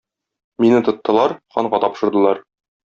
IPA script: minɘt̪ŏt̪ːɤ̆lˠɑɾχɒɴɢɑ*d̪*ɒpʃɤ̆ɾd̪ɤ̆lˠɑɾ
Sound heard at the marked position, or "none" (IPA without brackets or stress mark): t̪